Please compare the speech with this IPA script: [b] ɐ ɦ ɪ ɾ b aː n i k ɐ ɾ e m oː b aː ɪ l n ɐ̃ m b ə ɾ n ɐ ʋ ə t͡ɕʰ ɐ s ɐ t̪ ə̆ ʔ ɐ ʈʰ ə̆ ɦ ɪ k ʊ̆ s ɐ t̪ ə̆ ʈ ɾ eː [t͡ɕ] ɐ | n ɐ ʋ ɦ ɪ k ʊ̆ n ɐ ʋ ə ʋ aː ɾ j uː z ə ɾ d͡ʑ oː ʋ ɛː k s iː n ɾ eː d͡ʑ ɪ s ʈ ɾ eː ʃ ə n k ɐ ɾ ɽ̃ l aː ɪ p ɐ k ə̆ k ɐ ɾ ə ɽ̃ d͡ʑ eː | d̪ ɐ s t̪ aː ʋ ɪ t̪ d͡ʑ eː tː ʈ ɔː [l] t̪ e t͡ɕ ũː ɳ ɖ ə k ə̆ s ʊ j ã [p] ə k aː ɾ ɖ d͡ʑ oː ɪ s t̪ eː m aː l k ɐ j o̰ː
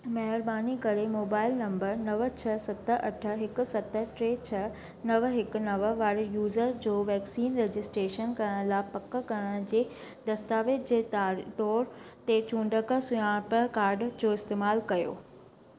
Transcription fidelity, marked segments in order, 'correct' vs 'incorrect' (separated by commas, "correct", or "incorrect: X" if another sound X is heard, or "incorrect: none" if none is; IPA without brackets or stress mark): incorrect: m, incorrect: t͡ɕʰ, incorrect: ɾ, correct